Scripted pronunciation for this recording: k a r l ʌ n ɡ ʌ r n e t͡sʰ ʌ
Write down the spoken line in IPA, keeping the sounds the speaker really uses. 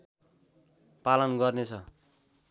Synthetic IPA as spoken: p a l ʌ n ɡ ʌ r n e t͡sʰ ʌ